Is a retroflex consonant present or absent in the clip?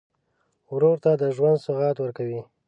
absent